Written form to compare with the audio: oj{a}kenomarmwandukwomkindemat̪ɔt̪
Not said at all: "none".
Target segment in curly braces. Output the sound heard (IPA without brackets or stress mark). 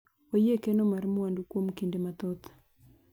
e